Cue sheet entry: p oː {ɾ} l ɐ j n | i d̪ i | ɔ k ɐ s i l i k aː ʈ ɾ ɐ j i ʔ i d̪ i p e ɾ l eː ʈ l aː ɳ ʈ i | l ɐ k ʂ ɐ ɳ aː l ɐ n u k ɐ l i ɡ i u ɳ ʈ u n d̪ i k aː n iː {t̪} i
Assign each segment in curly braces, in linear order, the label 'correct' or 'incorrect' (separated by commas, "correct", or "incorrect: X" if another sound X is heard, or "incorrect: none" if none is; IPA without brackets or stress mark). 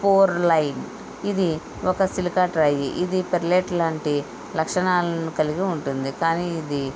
correct, incorrect: d̪